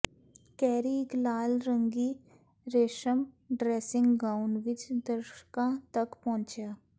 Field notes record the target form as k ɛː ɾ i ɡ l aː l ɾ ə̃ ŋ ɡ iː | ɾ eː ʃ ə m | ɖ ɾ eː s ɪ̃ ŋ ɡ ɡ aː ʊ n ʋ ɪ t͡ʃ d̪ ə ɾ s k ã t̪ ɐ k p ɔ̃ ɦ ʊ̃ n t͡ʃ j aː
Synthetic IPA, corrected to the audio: k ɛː ɾ i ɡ l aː l ɾ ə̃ ŋ ɡ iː | ɾ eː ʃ ə m | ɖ ɾ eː s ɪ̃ ŋ ɡ ɡ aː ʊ n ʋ ɪ t͡ʃ d̪ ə ɾ ʃ k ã t̪ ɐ k p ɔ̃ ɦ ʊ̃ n t͡ʃ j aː